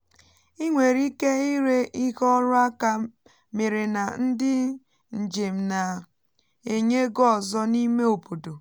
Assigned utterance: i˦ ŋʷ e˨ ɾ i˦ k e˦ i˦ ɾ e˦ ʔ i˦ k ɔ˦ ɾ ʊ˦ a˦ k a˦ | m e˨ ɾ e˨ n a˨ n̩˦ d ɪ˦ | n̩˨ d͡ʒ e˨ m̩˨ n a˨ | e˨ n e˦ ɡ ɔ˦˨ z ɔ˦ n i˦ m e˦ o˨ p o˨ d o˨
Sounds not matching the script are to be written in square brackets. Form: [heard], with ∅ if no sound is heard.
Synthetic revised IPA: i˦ ŋʷ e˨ ɾ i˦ k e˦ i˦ ɾ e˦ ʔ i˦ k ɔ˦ ɾ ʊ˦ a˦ k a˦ | m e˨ ɾ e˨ n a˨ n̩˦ d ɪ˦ | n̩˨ d͡ʒ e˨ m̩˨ n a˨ | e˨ [ɲ] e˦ ɡ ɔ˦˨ z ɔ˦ n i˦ m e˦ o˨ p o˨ d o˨